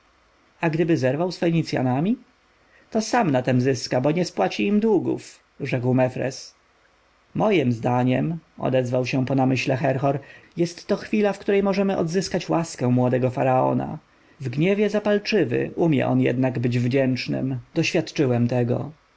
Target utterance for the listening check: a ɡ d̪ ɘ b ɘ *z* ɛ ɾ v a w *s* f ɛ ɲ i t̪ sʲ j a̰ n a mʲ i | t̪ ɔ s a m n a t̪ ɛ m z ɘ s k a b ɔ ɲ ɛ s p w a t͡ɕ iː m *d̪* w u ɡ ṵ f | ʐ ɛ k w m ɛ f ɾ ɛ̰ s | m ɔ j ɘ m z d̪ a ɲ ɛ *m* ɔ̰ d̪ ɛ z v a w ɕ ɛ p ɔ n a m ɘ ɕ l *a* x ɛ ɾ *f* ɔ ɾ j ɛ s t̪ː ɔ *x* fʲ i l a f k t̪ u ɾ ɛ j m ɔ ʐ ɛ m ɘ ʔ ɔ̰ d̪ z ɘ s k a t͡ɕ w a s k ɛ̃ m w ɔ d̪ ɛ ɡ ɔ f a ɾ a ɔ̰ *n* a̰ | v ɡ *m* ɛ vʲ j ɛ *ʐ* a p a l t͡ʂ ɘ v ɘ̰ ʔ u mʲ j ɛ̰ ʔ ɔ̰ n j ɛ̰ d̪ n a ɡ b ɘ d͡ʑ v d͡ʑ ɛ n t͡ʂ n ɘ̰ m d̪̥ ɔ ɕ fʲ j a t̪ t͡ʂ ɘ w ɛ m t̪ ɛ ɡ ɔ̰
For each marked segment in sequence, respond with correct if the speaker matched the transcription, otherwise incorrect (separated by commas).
correct, correct, correct, correct, incorrect, incorrect, correct, correct, incorrect, incorrect